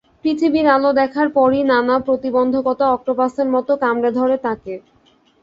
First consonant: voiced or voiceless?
voiceless